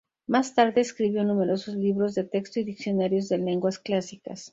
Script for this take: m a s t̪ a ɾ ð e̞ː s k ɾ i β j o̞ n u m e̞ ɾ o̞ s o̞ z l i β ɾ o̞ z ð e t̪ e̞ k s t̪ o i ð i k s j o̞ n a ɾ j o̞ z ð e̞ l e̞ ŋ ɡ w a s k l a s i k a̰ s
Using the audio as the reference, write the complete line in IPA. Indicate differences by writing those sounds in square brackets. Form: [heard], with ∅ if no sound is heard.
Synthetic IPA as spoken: m a s t̪ a ɾ ð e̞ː s k ɾ i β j o̞ n u m e̞ ɾ o̞ s o̞ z l i β ɾ o̞ z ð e t̪ e̞ k s t̪ o i ð i k s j o̞ n a ɾ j o̞ z ð e̞ l e̞ ŋ ɡ w a s k l a s i k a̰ s